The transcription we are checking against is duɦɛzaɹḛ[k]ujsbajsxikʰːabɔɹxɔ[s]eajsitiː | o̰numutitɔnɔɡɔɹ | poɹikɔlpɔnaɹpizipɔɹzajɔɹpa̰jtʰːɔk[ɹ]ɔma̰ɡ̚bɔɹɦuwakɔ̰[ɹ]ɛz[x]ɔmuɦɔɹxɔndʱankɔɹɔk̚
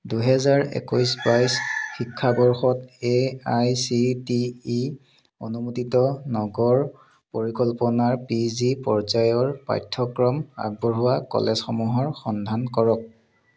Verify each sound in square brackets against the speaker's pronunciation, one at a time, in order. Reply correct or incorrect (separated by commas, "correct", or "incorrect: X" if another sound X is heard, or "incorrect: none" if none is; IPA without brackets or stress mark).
correct, incorrect: t, correct, incorrect: l, correct